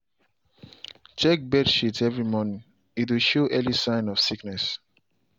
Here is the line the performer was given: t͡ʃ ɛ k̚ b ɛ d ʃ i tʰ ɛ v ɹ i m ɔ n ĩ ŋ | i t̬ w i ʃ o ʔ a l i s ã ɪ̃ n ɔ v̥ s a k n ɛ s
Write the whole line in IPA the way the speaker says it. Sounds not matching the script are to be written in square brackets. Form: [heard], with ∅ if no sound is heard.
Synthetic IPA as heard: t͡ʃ ɛ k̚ b ɛ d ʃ i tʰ ɛ v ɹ i m ɔ n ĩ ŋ | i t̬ w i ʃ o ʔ [ɛ] l i s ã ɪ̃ n ɔ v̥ s [i] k n ɛ s